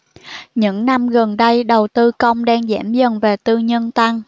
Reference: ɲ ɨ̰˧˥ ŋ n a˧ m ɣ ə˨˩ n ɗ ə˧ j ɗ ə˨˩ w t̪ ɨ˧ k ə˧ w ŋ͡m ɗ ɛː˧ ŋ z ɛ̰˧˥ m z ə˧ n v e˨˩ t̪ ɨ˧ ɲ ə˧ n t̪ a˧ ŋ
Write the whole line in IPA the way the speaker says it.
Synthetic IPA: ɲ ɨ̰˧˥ ŋ n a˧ m ɣ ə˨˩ n ɗ ə˧ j ɗ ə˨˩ w t̪ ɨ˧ k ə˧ w ŋ͡m ɗ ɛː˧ ŋ z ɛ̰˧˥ m z ə˨˩ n v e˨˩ t̪ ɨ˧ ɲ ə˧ n t̪ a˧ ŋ